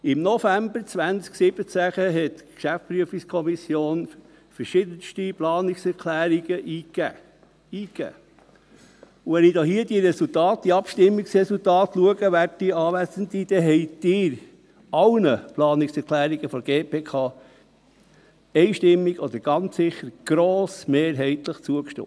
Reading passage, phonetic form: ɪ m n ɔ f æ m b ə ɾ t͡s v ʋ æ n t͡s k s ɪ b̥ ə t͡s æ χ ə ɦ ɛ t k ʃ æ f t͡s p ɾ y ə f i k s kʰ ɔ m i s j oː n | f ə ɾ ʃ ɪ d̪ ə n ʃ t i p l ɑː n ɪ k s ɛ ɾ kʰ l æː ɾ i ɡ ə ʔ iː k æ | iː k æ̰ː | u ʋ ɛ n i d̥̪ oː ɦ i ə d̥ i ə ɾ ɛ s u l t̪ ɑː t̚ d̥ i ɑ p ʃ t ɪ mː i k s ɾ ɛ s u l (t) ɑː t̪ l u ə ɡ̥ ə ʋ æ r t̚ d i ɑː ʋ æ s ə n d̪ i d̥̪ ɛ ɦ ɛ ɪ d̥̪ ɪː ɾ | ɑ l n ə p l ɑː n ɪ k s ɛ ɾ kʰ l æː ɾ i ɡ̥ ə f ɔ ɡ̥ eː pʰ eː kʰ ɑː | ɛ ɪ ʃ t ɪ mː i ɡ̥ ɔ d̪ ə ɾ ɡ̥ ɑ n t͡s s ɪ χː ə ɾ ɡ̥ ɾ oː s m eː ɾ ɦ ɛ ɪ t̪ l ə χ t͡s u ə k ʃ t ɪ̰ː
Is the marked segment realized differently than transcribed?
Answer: no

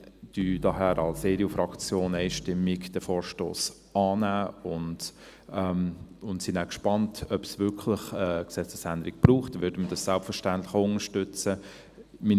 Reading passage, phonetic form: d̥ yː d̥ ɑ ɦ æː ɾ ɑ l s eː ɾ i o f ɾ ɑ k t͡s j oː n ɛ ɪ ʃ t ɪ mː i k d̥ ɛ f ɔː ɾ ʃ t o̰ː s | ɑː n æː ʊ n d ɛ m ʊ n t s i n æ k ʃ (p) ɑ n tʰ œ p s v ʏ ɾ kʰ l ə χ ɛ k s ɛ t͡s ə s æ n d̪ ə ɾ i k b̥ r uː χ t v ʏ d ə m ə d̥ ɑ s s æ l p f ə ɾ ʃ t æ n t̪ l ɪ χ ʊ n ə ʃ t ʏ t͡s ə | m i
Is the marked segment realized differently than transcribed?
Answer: no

